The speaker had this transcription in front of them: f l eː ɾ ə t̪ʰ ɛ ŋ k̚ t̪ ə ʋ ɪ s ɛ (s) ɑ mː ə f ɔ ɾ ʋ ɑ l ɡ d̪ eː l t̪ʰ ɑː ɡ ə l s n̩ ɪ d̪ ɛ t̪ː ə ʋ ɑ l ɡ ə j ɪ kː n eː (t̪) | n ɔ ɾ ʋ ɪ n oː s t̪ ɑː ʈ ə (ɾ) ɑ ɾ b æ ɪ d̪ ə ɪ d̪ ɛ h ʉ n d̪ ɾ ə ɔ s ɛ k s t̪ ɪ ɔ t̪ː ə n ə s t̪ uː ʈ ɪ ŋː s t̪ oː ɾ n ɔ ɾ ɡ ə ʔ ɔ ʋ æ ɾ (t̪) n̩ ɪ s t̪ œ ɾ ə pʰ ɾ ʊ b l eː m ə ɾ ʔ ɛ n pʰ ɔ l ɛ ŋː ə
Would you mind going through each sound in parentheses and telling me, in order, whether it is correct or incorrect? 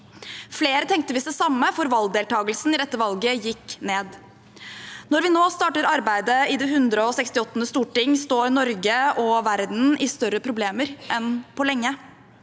correct, incorrect: d̪, correct, incorrect: d̪

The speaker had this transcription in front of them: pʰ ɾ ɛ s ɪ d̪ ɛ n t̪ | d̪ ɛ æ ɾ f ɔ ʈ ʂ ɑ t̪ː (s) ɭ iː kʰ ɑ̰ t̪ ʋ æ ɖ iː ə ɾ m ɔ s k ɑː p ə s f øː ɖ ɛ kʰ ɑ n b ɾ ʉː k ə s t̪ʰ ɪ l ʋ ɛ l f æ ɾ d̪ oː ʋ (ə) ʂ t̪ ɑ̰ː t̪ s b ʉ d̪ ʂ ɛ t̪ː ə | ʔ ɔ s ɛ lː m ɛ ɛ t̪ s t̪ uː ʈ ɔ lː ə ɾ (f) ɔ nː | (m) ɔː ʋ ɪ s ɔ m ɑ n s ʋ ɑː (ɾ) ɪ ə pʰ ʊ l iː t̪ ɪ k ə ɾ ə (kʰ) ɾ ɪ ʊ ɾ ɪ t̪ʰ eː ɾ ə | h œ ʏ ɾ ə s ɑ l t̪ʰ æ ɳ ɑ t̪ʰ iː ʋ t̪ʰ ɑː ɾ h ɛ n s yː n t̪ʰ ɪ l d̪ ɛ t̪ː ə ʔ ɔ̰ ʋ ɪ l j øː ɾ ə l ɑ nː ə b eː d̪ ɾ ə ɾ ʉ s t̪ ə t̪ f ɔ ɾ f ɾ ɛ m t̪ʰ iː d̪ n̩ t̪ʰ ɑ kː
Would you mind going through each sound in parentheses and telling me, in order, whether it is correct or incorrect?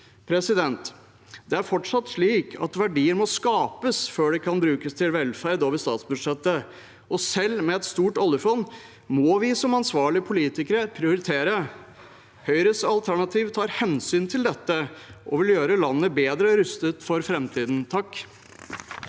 incorrect: ʂ, correct, correct, correct, incorrect: ɭ, incorrect: pʰ

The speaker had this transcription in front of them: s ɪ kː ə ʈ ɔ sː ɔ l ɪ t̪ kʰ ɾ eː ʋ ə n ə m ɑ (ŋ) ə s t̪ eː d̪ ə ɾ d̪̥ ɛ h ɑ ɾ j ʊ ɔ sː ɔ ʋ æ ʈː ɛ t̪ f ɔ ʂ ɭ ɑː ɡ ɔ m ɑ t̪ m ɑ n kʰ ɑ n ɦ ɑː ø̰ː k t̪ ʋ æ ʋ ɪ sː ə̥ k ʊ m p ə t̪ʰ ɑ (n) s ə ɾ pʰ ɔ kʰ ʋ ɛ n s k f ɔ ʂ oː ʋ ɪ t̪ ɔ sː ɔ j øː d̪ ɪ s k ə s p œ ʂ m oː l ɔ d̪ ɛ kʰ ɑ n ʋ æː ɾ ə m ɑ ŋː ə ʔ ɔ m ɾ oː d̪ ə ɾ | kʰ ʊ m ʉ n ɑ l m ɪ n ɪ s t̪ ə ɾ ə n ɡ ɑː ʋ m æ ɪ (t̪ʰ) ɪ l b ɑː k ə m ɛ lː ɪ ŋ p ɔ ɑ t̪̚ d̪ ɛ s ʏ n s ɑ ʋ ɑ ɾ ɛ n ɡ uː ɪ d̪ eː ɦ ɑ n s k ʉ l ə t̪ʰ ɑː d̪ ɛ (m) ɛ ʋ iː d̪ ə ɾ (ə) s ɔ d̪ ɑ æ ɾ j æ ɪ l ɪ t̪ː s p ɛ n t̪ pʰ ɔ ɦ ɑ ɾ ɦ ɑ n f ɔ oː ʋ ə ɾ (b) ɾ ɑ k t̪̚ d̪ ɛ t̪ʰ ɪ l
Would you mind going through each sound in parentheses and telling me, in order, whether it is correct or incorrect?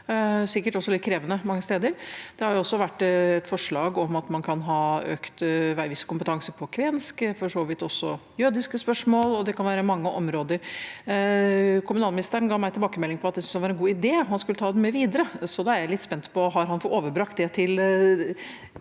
incorrect: ŋː, incorrect: ŋ, incorrect: t̪, correct, correct, correct

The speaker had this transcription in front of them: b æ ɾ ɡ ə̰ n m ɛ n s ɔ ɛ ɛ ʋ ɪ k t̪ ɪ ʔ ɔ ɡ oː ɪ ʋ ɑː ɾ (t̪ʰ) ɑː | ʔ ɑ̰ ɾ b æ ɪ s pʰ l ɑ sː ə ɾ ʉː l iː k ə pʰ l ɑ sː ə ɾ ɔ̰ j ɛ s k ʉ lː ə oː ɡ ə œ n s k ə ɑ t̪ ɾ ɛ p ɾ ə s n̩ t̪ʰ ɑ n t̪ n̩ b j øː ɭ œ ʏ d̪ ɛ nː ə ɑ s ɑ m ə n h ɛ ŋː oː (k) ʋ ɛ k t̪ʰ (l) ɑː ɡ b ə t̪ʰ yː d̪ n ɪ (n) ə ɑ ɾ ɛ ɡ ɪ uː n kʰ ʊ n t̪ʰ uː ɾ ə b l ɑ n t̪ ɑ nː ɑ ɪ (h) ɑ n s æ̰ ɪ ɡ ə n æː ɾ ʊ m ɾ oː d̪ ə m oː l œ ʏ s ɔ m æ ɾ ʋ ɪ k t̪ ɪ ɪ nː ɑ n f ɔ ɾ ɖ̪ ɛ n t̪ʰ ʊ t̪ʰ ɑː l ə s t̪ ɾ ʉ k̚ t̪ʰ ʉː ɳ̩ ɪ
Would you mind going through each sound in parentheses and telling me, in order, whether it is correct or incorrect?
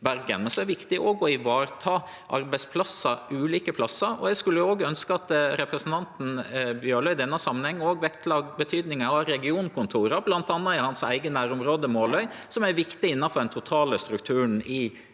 correct, incorrect: ɡ, correct, incorrect: ŋ, correct

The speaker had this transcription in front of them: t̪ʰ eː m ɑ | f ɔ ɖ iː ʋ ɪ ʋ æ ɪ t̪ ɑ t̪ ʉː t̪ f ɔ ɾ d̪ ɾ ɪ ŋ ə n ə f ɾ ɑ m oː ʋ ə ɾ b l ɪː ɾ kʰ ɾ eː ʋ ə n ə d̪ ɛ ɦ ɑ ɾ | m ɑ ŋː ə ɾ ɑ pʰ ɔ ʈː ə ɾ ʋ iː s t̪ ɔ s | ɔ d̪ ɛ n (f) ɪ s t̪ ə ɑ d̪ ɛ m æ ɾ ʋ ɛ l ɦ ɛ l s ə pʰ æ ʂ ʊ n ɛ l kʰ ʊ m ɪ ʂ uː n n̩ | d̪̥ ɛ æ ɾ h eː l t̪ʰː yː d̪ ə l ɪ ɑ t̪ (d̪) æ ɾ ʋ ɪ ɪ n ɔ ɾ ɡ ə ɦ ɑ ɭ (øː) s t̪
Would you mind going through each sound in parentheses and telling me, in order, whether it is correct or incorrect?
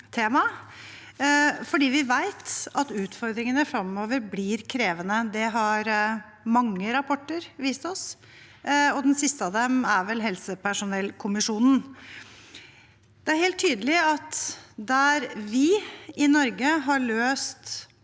incorrect: s, correct, correct

